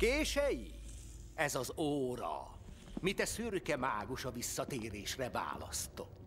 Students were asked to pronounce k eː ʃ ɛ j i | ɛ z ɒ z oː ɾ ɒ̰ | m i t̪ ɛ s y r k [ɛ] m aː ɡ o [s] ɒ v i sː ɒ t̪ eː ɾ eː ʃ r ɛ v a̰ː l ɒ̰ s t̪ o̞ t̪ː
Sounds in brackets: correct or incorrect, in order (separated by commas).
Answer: correct, incorrect